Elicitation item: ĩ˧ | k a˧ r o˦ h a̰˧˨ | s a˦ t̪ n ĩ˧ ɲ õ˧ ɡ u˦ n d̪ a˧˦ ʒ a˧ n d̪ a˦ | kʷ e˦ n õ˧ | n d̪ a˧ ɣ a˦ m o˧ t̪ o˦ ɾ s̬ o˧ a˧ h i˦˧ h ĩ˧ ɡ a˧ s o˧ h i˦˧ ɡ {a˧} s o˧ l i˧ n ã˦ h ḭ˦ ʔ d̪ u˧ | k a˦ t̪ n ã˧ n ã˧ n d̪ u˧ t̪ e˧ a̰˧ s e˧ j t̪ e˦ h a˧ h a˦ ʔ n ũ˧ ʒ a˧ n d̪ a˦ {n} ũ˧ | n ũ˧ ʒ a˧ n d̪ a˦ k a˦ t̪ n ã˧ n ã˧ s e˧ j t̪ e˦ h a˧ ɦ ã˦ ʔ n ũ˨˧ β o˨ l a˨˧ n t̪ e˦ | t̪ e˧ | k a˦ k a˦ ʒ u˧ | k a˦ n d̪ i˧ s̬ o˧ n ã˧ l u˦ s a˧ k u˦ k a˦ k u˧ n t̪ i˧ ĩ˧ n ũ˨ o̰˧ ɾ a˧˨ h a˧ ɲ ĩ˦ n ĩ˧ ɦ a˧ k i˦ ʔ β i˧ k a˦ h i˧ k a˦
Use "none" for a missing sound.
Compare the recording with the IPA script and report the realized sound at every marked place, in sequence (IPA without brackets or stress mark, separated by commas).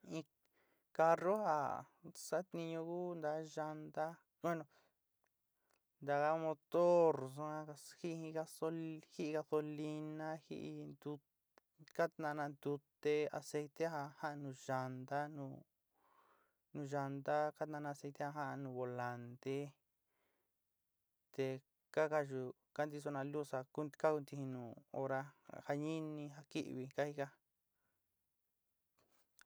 a˧, n